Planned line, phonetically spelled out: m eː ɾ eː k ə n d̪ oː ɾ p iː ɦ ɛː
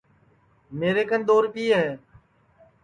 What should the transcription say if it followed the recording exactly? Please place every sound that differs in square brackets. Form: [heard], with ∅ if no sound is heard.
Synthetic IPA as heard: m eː ɾ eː k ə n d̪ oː ɾ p iː ɦ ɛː

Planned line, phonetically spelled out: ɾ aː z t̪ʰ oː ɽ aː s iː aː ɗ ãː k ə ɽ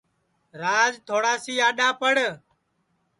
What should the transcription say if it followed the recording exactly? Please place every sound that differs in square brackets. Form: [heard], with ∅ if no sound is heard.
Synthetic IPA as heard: ɾ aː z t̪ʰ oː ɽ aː s iː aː ɗ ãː [p] ə ɽ

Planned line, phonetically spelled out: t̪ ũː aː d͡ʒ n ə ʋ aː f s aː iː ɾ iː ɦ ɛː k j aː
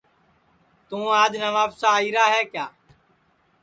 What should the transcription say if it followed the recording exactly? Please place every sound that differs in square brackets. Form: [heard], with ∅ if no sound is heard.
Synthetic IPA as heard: t̪ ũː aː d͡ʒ n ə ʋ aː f s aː iː ɾ [aː] ɦ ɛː k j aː

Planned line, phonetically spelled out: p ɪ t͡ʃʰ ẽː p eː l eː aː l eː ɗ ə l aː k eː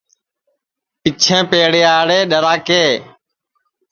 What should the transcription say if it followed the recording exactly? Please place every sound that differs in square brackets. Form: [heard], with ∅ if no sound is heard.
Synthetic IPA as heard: p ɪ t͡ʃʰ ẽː p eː [ɽ] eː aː [ɽ] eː ɗ ə [ɾ] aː k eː

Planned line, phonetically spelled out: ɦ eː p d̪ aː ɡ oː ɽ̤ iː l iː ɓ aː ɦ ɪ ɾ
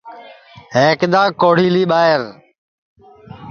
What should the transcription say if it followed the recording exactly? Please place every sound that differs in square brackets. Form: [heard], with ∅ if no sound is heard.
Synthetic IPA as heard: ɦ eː [k] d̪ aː [k] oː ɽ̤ iː l iː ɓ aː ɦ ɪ ɾ

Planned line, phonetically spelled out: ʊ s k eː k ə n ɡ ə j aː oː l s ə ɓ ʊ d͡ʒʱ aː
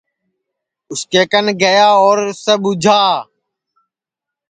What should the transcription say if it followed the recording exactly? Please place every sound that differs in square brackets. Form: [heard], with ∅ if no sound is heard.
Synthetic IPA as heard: ʊ s k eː k ə n ɡ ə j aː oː [ɾ] s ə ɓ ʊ d͡ʒʱ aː

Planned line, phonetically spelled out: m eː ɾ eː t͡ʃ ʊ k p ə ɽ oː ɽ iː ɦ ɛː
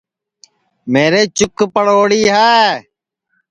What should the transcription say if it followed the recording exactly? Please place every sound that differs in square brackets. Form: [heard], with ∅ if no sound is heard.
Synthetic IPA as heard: m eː ɾ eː t͡ʃ ʊ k p ə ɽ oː ɽ iː ɦ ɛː

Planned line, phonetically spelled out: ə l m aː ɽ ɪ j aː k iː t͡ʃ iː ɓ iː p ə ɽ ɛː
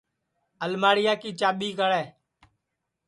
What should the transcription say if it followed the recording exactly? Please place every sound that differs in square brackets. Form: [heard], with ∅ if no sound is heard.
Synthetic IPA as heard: ə l m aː ɽ ɪ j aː k iː t͡ʃ [aː] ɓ iː [k] ə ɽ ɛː

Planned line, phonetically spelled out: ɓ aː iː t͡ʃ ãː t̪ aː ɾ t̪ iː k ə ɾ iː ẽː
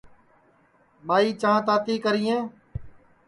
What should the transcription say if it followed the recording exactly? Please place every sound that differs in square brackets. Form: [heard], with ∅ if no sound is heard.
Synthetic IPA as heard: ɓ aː iː t͡ʃ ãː t̪ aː [∅] t̪ iː k ə ɾ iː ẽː

